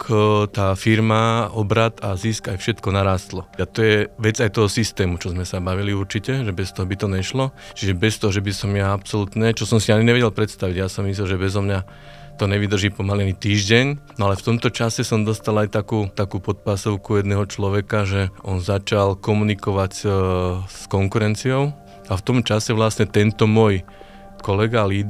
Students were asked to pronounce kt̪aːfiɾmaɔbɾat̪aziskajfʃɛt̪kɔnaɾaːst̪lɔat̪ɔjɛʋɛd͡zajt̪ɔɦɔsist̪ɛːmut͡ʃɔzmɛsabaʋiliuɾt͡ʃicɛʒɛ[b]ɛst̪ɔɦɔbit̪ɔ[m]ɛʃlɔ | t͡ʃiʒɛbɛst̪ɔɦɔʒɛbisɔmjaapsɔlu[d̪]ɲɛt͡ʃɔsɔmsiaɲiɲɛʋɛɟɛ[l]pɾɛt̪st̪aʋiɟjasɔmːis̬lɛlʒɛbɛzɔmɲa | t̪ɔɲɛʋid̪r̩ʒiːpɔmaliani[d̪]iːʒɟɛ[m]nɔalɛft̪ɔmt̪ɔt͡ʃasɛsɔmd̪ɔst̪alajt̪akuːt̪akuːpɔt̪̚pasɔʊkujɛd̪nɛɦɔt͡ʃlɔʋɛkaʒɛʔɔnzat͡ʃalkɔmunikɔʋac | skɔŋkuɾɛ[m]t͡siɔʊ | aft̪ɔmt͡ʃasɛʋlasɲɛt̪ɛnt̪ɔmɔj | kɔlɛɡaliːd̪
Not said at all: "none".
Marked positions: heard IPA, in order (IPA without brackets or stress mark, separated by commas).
b, ɲ, t̪, l, t̪, ɲ, n